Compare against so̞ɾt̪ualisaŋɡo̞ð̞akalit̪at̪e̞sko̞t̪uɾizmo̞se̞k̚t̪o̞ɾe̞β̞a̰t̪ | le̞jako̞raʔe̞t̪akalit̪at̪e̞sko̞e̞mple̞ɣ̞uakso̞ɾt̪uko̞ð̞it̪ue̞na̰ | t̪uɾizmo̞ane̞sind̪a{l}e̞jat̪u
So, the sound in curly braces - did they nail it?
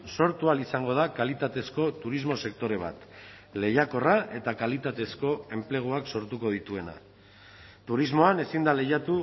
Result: yes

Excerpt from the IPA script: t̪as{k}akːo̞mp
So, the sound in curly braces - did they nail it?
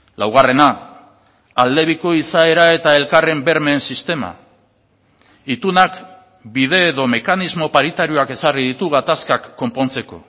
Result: yes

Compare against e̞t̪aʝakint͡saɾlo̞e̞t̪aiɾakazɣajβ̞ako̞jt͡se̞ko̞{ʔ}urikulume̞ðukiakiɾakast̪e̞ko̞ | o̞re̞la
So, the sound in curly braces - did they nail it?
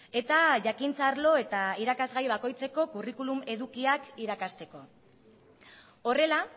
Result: no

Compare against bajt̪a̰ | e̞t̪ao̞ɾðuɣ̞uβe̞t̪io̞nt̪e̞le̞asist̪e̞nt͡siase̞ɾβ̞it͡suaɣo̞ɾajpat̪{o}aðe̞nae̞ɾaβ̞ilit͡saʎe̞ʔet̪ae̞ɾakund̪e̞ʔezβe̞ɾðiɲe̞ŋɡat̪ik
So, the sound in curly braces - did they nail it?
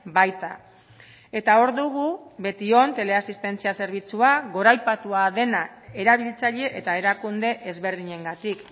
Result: no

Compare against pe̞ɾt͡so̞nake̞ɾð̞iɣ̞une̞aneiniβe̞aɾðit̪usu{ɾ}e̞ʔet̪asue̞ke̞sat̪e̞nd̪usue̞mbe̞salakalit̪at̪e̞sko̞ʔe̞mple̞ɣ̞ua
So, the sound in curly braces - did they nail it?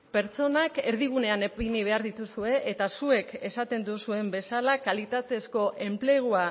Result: no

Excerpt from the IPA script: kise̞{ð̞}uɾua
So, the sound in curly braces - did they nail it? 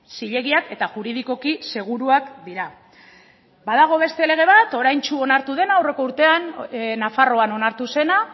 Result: no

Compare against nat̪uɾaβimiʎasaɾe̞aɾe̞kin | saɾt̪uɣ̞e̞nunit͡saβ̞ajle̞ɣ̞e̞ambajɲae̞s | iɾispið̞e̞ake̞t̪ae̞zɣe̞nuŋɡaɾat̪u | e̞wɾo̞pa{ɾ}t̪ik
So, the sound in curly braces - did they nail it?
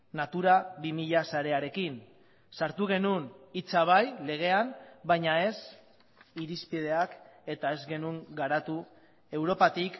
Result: no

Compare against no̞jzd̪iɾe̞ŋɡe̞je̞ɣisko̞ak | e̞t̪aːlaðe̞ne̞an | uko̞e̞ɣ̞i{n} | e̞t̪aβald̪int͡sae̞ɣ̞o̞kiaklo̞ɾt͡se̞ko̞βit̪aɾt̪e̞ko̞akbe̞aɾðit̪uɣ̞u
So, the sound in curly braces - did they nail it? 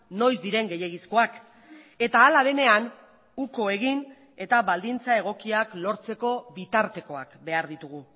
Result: yes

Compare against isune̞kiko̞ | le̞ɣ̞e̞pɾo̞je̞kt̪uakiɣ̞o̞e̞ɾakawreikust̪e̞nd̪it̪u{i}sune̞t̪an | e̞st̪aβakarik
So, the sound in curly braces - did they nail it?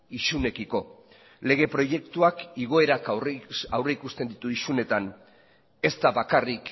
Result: yes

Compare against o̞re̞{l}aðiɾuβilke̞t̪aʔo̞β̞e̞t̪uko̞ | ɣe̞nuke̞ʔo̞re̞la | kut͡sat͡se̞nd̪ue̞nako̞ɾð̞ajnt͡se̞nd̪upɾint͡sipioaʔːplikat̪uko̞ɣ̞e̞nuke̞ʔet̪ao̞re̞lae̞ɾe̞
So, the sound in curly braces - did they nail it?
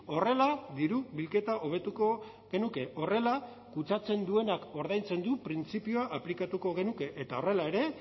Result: yes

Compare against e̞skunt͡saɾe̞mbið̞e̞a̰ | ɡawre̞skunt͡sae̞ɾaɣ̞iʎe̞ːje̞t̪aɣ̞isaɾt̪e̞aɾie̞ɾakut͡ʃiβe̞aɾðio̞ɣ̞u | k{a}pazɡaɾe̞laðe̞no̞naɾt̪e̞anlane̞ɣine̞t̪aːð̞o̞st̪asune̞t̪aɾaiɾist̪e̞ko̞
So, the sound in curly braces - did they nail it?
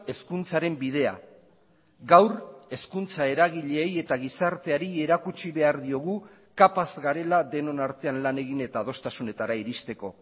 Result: yes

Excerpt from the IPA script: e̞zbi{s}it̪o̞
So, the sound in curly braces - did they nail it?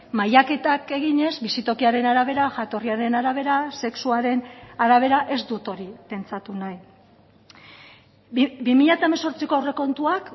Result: yes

